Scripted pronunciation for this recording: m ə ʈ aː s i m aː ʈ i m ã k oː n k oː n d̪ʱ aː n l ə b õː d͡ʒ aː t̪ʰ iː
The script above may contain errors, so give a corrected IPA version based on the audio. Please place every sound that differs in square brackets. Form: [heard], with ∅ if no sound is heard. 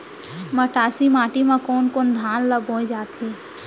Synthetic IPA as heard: m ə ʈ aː s i m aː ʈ i m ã k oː n k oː n d̪ʱ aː n l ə b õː d͡ʒ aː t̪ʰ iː